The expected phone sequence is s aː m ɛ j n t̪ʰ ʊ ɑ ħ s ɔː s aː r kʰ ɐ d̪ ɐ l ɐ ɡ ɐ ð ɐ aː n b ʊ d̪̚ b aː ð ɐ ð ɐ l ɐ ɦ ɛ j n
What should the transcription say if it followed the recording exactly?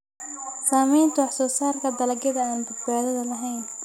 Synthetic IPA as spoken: s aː m ɛ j n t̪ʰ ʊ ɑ ħ s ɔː s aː r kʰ ɐ d̪ ɐ l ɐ ɡ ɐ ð ɐ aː n b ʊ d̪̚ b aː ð ɐ ð ɐ l ɐ ɦ ɛ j n